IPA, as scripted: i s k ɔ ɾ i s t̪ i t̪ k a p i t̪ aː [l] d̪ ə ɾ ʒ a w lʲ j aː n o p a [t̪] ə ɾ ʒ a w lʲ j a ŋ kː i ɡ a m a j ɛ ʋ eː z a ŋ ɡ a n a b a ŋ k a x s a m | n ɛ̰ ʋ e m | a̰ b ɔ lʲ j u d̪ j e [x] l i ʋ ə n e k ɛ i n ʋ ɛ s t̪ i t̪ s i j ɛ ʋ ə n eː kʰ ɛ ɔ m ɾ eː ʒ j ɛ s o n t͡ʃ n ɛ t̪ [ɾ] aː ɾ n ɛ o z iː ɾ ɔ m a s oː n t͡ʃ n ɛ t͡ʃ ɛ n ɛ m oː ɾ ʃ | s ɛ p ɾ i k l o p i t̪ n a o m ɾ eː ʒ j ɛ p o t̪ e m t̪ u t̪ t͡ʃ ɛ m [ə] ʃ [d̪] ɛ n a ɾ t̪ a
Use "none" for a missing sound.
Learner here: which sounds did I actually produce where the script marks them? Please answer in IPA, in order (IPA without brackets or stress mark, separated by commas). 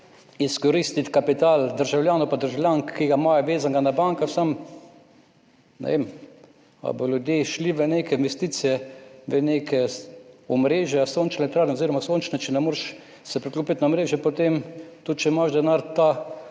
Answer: l, d̪, ʃ, ɾ, a, d̪